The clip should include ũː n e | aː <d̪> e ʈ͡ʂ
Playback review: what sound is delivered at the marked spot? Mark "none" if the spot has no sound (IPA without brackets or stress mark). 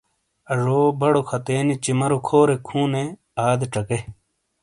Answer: d̪